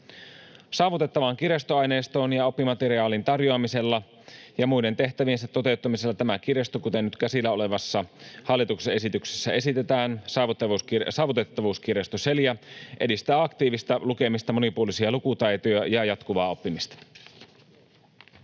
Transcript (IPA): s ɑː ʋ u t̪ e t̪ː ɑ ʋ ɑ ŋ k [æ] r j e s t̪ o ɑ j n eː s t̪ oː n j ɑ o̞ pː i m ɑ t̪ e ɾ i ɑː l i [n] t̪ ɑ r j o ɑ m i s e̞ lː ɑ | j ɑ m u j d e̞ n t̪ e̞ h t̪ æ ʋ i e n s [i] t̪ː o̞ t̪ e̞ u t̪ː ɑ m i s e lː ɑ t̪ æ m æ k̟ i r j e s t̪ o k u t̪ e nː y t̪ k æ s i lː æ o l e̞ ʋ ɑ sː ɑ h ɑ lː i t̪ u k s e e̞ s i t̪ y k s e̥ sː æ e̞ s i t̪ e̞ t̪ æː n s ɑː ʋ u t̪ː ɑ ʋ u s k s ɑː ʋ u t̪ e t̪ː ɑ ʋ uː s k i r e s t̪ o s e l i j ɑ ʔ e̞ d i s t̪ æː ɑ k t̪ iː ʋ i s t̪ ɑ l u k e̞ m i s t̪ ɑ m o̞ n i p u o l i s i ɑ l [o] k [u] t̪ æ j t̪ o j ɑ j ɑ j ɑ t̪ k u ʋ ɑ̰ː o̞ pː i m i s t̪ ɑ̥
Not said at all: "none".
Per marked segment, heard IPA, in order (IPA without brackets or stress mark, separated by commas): i, n, æ, u, u